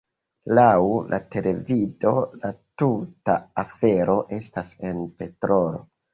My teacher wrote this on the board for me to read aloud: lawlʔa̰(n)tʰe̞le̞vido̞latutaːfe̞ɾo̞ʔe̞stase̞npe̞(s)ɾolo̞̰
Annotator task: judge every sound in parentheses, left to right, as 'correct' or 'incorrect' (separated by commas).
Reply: incorrect, incorrect